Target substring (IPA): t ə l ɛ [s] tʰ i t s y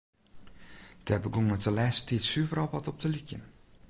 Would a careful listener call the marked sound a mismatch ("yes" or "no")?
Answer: no